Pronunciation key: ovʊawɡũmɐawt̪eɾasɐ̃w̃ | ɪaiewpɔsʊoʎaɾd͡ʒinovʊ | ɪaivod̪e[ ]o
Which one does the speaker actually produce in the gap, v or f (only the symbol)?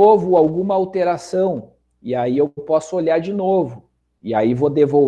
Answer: v